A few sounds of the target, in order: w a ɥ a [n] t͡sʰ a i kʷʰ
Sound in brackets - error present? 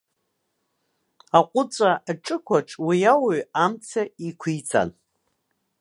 yes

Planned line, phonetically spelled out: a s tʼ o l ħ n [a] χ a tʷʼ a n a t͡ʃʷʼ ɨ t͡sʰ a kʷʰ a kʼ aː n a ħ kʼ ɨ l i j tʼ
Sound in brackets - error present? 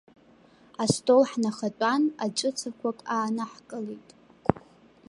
no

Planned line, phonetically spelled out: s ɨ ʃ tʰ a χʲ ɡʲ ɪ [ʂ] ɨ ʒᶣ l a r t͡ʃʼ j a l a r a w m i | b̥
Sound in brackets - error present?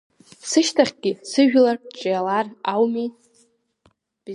yes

